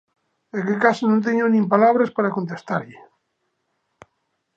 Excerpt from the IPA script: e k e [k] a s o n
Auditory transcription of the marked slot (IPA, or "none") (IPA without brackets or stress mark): k